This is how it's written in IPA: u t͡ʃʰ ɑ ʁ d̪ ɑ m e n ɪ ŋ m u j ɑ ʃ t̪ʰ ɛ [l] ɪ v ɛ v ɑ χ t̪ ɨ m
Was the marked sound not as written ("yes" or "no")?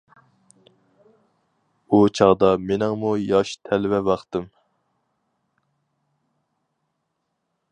no